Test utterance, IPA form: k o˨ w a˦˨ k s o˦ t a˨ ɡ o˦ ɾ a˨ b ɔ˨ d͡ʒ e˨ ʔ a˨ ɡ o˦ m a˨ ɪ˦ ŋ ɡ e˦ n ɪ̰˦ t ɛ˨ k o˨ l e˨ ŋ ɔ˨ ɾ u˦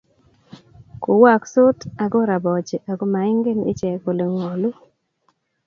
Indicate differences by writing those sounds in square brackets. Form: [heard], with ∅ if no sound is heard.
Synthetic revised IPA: k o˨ w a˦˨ k s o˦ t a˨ ɡ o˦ ɾ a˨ b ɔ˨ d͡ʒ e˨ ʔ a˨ ɡ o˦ m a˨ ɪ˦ ŋ ɡ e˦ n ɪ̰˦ [t͡ʃ] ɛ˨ k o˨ l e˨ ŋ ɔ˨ [l] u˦